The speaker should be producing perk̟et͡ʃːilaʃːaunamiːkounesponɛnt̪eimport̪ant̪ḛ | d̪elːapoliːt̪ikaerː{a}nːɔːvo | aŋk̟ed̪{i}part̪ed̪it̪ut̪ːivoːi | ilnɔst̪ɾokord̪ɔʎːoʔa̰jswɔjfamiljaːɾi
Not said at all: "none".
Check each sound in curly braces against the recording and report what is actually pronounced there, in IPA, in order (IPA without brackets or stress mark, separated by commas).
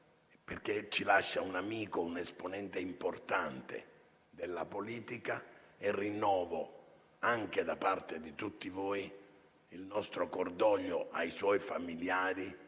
i, a